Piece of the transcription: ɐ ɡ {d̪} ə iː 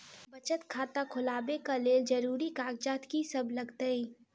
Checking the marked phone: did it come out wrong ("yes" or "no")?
yes